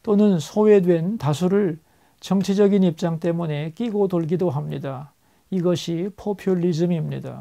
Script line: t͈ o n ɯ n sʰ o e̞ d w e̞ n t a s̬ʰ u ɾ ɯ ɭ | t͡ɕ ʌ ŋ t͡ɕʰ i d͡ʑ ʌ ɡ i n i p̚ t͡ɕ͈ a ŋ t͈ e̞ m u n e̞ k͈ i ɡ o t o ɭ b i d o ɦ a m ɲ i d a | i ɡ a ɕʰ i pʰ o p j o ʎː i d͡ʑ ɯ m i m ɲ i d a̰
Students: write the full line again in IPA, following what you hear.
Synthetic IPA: t͈ o n ɯ n sʰ o e̞ d w e̞ n t a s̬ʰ u ɾ ɯ ɭ | t͡ɕ ʌ ŋ t͡ɕʰ i d͡ʑ ʌ ɡ i n i p̚ t͡ɕ͈ a ŋ t͈ e̞ m u n e̞ k͈ i ɡ o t o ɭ ɡ i d o ɦ a m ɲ i d a | i ɡ ʌ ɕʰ i pʰ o pʰ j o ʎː i d͡ʑ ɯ m i m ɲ i d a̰